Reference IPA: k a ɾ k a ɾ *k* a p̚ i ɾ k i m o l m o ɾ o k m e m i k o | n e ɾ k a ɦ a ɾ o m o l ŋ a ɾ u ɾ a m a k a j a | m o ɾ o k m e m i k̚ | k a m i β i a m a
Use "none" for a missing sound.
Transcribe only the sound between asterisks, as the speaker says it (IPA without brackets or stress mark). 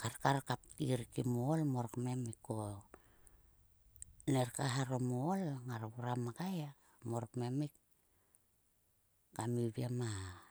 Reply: k